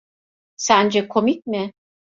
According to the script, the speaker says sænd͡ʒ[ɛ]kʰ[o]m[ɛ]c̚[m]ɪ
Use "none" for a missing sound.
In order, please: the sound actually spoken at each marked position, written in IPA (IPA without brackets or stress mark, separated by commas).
ɛ, o, i, m